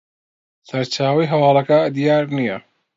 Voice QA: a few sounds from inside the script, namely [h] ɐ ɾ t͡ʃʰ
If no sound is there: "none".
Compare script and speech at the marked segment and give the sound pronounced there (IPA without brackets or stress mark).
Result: s